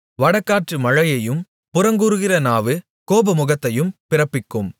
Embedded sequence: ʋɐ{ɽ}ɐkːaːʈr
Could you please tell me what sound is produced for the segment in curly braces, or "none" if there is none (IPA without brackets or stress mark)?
ɽ